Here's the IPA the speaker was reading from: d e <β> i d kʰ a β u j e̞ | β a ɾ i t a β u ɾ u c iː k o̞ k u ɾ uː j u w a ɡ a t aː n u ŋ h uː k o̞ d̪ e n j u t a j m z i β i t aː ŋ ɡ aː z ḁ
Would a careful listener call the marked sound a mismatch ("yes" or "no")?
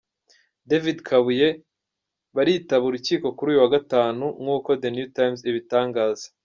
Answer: yes